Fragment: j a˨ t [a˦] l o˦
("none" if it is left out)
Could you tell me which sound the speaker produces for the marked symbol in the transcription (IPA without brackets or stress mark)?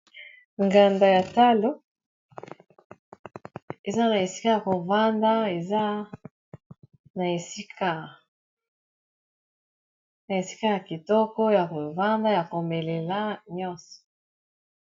a˦